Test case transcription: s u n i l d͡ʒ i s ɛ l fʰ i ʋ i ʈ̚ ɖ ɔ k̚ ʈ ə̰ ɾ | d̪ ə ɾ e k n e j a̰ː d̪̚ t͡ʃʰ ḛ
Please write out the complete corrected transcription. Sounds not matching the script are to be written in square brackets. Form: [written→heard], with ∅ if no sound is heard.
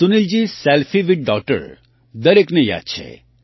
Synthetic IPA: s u n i l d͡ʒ i s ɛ l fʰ i ʋ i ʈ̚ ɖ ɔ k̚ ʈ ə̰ ɾ | d̪ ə ɾ e k n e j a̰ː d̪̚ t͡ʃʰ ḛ

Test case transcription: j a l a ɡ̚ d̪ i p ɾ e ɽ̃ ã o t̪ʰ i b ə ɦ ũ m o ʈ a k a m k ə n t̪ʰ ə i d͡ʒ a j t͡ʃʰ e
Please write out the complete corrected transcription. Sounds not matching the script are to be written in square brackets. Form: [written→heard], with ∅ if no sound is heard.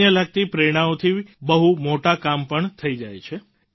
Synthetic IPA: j [a→ə] l a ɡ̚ [d̪→t̪] i p ɾ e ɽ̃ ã o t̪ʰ i b ə ɦ [ũ→u] m o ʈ a k a m [k→p] ə [n→ɳ] t̪ʰ ə i d͡ʒ a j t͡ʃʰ e

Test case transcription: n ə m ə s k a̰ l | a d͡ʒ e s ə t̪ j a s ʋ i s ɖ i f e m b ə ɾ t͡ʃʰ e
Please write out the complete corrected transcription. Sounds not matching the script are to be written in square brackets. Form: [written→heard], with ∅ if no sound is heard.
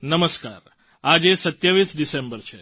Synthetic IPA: n ə m ə s k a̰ [l→ɾ] | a d͡ʒ e s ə t̪ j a [s→∅] ʋ i s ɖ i [f→s] e m b ə ɾ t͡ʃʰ e

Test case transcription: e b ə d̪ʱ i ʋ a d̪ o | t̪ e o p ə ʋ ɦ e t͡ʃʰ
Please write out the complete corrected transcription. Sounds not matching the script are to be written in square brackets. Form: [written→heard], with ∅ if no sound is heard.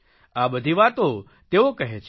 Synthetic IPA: [e→a] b ə d̪ʱ i ʋ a [d̪→t̪] o | t̪ e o [p→k] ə [ʋ→∅] ɦ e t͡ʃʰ

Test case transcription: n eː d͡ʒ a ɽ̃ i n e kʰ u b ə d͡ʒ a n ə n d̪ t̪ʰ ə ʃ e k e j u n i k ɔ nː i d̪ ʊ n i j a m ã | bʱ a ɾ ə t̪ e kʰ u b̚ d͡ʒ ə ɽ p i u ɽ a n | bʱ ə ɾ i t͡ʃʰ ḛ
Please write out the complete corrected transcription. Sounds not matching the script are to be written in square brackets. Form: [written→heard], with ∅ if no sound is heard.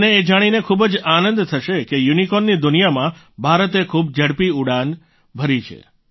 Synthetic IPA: n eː d͡ʒ a ɽ̃ i n e kʰ u b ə d͡ʒ a n ə n d̪ t̪ʰ ə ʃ e k e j u n i k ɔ nː i d̪ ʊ n i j a m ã | bʱ a ɾ ə t̪ e kʰ u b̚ d͡ʒ ə ɽ p i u ɽ a n | bʱ ə ɾ i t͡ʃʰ ḛ

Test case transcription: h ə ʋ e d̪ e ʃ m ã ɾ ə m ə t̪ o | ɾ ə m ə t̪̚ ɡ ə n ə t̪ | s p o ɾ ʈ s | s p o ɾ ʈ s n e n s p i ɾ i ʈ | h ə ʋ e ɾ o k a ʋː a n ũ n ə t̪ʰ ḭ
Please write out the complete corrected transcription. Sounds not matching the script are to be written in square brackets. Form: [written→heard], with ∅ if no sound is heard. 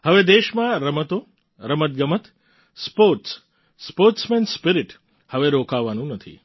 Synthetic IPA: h ə ʋ e d̪ e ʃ m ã ɾ ə m ə t̪ o | ɾ ə m ə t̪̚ ɡ ə [n→m] ə t̪ | s p o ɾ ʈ s | s p o ɾ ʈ s [n→m] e n s p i ɾ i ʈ | h ə ʋ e ɾ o k a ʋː a n ũ n ə t̪ʰ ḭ

